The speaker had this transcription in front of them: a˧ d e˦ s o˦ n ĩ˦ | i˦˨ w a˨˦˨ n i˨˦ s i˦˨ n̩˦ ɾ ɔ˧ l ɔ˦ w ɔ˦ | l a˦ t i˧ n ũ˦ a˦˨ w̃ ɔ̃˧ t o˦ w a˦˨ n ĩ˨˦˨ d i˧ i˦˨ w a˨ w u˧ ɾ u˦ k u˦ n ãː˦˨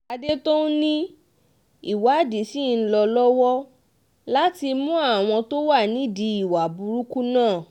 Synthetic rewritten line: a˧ d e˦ t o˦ n ĩ˦ | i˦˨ w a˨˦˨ d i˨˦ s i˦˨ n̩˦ l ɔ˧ l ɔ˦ w ɔ˦ | l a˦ t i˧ m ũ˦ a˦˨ w̃ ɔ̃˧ t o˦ w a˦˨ n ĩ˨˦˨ d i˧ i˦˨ w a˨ b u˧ ɾ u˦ k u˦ n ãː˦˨